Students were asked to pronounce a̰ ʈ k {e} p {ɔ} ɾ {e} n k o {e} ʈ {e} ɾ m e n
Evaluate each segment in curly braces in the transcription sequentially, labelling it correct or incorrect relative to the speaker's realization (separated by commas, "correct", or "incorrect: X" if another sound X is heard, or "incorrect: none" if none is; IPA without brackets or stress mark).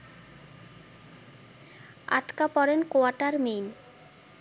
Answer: incorrect: a, correct, correct, incorrect: a, incorrect: a